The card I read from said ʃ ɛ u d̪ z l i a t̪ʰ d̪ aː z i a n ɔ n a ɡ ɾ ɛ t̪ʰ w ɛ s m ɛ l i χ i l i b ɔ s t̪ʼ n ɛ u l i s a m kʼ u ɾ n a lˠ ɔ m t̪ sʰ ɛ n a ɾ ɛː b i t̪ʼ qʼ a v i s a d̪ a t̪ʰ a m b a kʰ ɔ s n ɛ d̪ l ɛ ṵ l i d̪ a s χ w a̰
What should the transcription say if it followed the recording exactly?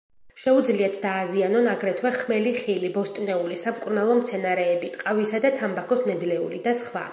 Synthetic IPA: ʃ ɛ u d̪ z l i a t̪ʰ d̪ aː z i a n ɔ n a ɡ ɾ ɛ t̪ʰ w ɛ χ m ɛ l i χ i l i b ɔ s t̪ʼ n ɛ u l i s a m kʼ u ɾ n a lˠ ɔ m t̪ sʰ ɛ n a ɾ ɛː b i t̪ʼ qʼ a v i s a d̪ a t̪ʰ a m b a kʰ ɔ s n ɛ d̪ l ɛ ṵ l i d̪ a s χ w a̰